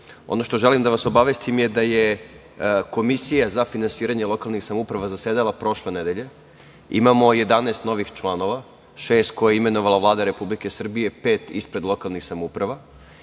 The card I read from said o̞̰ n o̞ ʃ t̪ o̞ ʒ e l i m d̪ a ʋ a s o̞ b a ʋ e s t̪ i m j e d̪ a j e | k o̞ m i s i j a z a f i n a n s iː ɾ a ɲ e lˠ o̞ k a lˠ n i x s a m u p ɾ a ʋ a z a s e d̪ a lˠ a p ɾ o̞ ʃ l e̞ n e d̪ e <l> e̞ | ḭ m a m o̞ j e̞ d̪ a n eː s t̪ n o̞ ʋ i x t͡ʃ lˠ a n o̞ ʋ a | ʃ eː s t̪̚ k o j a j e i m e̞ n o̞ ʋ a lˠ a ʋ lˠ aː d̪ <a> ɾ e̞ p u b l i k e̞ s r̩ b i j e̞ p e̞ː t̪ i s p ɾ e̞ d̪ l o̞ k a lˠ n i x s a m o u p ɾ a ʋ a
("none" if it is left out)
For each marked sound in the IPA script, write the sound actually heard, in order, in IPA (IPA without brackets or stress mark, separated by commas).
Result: ʎ, a